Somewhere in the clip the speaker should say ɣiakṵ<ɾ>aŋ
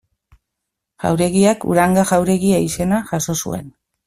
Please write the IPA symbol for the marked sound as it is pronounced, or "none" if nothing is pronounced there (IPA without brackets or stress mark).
ɾ